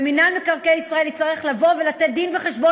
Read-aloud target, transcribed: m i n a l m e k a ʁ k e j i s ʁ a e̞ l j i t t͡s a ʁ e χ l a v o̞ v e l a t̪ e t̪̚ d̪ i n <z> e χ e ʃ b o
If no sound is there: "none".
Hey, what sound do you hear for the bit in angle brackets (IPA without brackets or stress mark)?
v